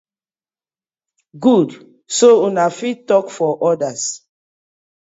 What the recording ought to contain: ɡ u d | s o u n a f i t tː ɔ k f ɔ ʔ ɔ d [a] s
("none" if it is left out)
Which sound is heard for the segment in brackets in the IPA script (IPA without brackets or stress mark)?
a